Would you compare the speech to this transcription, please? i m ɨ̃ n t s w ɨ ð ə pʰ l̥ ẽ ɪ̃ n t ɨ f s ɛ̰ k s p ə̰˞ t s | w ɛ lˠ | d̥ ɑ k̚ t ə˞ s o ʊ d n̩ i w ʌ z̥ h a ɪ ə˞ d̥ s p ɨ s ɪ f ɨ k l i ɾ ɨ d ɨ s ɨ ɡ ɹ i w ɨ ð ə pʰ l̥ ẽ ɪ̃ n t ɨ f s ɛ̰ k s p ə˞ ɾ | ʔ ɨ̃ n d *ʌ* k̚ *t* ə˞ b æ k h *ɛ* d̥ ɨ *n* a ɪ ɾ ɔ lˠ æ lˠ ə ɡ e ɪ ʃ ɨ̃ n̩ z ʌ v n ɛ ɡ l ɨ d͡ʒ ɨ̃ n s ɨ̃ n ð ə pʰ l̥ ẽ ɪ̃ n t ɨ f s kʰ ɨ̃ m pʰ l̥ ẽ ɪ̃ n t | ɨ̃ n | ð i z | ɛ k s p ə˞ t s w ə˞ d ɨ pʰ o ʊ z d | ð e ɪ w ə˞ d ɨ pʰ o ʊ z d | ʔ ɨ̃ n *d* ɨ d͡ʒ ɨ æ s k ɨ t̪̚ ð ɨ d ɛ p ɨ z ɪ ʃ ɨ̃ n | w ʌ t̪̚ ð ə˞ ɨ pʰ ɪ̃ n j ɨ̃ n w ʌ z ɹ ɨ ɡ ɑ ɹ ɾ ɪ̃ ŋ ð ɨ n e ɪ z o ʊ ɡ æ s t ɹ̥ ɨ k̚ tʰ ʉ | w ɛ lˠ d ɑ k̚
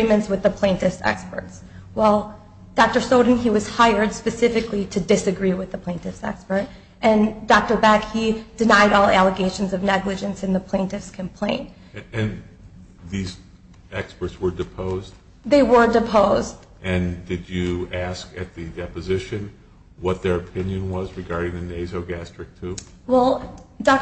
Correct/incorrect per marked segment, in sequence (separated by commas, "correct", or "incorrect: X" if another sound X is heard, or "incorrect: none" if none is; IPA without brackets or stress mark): incorrect: ɑ, correct, incorrect: i, correct, correct